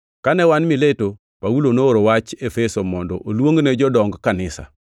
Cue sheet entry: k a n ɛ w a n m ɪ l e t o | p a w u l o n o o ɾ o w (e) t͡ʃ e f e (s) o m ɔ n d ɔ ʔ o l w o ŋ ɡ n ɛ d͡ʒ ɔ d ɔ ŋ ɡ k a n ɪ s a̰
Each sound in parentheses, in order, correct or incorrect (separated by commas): incorrect, correct